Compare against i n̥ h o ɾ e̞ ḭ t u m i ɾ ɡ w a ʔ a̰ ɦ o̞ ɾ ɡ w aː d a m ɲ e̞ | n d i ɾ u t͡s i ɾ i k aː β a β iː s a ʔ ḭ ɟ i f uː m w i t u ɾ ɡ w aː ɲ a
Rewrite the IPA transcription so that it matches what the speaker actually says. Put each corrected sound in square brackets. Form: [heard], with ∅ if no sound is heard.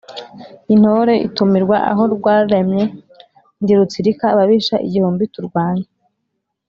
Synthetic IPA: i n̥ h o ɾ e̞ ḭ t u m i ɾ ɡ w a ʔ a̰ ɦ o̞ ɾ ɡ w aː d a m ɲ e̞ | n d i ɾ u t͡s i ɾ i k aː β a β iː [ʃ] a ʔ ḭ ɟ i [h] uː m [b] i t u ɾ ɡ w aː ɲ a